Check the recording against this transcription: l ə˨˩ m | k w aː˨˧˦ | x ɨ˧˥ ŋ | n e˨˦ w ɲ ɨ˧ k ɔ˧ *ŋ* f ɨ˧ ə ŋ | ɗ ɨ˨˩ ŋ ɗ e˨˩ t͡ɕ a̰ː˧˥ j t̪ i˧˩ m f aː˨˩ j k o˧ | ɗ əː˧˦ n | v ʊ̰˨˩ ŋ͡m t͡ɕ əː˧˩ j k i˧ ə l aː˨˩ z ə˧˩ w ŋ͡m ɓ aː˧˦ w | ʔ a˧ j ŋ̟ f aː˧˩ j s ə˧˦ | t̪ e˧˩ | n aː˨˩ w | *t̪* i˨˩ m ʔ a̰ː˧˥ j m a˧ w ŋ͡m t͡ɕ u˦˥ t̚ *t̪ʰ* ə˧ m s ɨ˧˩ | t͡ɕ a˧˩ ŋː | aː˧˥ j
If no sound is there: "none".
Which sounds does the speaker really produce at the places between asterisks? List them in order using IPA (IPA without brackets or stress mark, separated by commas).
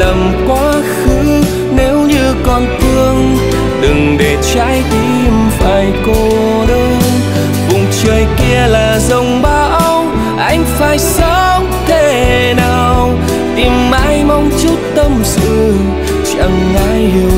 n, t̪, t̪